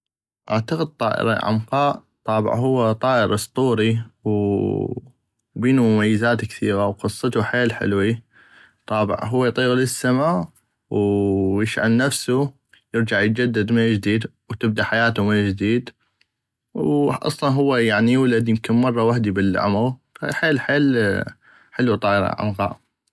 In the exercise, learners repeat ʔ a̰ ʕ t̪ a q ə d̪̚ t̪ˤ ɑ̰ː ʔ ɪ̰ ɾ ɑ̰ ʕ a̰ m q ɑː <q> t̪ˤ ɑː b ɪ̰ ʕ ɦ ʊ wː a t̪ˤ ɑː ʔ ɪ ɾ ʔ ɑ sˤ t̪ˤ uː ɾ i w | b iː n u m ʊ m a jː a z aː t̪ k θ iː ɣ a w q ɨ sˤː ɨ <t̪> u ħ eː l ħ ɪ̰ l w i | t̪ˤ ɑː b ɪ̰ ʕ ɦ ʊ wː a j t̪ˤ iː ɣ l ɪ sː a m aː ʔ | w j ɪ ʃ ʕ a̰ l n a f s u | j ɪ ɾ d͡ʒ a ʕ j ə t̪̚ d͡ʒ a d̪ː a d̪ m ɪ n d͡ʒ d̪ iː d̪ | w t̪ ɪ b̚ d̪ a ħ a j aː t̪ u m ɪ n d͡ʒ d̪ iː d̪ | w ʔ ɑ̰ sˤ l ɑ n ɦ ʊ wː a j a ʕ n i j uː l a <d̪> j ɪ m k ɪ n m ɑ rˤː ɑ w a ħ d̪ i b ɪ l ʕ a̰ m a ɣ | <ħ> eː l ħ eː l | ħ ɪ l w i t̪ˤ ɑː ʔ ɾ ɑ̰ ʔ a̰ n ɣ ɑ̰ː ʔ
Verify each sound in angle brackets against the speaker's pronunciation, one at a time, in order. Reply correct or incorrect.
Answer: incorrect: ʔ, correct, correct, correct

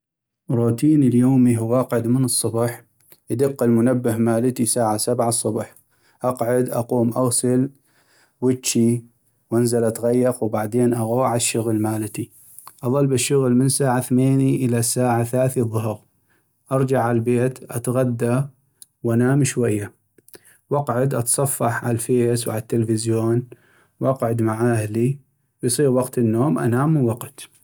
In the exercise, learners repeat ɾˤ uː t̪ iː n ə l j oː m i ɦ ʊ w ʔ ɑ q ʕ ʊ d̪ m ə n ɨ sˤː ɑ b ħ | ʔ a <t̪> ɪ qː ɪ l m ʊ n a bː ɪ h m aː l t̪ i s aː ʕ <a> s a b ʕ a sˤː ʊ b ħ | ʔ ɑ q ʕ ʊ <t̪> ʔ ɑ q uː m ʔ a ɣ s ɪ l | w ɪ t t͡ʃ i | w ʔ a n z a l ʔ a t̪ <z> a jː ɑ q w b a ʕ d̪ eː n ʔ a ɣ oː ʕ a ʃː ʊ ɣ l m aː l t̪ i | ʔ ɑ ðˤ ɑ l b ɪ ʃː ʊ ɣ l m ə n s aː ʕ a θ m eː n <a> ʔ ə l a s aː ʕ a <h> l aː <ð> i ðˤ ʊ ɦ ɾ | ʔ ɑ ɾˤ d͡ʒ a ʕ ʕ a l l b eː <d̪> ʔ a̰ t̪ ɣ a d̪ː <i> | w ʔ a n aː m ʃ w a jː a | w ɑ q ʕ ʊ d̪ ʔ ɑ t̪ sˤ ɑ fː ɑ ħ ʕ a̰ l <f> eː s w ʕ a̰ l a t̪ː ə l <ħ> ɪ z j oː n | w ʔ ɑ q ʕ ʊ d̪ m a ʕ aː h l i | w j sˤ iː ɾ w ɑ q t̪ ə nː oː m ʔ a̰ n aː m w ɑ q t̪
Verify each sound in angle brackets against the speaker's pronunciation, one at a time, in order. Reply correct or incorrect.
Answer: incorrect: d̪, correct, incorrect: d̪, incorrect: ɣ, incorrect: i, incorrect: θ, incorrect: θ, incorrect: t̪, incorrect: a, correct, incorrect: f

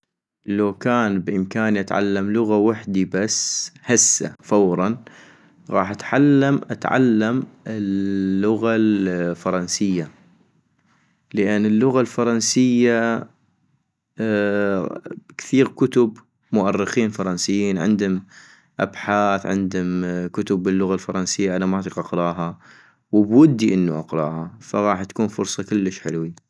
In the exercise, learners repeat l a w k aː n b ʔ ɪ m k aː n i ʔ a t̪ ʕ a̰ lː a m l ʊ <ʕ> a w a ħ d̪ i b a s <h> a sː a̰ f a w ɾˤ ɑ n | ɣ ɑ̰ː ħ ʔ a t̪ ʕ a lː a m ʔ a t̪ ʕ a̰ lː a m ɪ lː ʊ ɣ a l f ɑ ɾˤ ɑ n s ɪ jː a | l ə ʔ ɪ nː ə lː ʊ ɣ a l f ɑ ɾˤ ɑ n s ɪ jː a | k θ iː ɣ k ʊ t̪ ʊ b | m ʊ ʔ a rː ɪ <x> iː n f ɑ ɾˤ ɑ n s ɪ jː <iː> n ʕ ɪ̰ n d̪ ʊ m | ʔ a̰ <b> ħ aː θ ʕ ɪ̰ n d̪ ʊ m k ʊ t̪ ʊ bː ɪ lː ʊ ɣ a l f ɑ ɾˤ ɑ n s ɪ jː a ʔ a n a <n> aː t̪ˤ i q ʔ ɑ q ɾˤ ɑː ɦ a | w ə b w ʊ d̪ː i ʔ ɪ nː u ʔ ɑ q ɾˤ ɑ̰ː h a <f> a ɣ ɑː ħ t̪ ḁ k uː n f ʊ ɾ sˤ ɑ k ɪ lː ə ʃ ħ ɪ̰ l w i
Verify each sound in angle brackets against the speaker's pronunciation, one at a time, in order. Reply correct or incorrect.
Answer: incorrect: ɣ, correct, correct, correct, correct, incorrect: m, correct

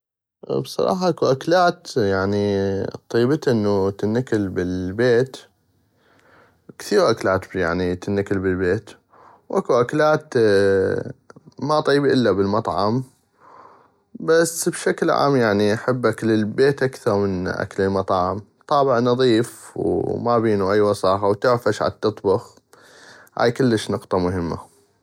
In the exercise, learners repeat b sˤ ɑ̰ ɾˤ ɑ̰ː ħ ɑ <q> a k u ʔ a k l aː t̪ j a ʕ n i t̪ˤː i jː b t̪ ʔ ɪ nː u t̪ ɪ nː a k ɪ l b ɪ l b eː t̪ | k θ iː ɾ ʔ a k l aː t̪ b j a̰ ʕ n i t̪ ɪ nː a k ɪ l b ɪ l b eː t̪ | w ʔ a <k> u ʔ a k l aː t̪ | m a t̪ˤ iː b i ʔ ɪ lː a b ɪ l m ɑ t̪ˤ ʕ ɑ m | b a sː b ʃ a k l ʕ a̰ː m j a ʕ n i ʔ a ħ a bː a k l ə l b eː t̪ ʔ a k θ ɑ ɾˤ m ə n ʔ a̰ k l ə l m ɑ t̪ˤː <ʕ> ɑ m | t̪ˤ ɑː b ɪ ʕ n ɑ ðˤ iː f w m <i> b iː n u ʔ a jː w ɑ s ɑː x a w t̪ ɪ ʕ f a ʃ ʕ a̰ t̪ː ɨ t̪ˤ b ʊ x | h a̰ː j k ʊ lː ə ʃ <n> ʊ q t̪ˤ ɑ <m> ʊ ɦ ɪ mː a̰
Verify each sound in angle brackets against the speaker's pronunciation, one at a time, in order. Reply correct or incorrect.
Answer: incorrect: ʔ, correct, correct, incorrect: a, correct, correct

